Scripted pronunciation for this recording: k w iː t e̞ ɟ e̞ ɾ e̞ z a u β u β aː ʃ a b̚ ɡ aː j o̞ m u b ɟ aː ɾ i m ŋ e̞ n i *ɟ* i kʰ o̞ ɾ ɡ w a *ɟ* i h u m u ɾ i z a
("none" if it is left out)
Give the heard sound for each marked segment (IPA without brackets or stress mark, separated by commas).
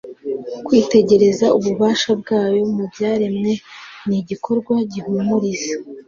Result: ɟ, ɟ